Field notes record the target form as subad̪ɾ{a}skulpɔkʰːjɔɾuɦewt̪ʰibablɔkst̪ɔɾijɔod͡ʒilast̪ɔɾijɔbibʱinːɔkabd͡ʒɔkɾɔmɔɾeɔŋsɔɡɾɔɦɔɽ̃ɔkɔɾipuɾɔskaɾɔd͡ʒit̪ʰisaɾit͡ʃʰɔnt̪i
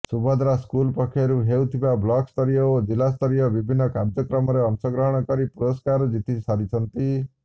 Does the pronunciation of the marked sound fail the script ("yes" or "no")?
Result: no